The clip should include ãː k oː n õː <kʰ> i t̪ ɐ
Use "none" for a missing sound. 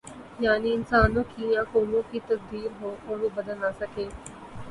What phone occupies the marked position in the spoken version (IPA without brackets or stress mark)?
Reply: k